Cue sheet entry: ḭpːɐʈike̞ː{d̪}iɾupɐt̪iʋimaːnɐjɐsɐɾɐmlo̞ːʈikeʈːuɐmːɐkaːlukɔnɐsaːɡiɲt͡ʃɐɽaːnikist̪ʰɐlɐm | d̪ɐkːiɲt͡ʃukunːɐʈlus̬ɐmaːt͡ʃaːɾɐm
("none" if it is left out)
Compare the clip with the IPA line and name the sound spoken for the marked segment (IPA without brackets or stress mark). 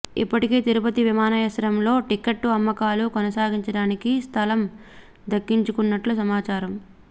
t̪